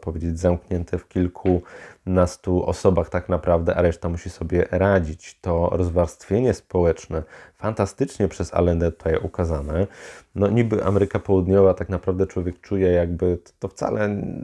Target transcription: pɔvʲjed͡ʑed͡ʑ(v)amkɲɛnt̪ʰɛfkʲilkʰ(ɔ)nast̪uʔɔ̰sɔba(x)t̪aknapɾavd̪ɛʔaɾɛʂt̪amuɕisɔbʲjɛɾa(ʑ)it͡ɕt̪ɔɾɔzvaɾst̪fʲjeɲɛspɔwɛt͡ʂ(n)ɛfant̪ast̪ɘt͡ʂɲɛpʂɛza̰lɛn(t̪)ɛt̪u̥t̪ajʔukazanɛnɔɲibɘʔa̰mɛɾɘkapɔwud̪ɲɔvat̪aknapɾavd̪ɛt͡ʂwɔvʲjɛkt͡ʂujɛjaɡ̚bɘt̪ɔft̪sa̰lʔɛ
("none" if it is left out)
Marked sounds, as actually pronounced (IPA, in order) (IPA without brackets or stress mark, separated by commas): z, u, x, d͡ʑ, n, d̪